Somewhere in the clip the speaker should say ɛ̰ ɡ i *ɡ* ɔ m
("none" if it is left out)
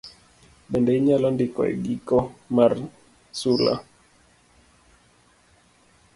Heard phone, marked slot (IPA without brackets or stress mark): k